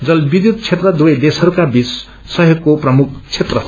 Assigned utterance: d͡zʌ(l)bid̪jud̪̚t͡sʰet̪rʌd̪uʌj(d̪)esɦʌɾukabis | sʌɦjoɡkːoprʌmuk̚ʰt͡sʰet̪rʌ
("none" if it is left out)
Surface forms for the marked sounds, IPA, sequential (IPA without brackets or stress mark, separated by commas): l, d̪